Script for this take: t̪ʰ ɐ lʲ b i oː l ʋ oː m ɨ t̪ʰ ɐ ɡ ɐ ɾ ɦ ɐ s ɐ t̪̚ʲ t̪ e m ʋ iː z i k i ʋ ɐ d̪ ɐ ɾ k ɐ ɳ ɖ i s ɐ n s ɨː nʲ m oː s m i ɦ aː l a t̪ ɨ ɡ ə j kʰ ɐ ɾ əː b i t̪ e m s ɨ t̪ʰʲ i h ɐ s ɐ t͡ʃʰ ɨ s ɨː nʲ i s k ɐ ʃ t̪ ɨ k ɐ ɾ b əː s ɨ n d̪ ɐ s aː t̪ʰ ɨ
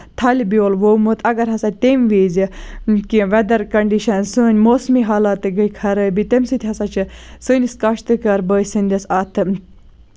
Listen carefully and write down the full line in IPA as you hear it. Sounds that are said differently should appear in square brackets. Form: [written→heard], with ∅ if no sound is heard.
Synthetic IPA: t̪ʰ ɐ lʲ b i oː l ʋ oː m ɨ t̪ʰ ɐ ɡ ɐ ɾ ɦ ɐ s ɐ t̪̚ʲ t̪ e m ʋ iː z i k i ʋ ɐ d̪ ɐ ɾ k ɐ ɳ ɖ i [s→ʃ] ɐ n s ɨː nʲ m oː s m i ɦ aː l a t̪ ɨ ɡ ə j kʰ ɐ ɾ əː b i t̪ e m s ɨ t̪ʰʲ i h ɐ s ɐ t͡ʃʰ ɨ s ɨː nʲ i s k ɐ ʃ t̪ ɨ k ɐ ɾ b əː s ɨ n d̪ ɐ s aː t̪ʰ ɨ